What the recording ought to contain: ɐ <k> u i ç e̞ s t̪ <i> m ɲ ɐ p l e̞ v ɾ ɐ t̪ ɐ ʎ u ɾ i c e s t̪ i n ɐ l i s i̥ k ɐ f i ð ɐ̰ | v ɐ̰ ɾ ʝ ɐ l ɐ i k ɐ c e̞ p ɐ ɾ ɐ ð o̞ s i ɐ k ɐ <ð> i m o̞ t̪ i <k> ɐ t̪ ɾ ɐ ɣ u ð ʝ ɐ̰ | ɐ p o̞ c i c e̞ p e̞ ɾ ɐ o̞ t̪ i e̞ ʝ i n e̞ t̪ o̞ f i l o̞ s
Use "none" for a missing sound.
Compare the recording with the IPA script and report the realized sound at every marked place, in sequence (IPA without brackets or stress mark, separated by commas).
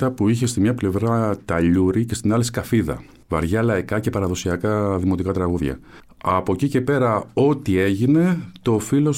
p, i, ð, k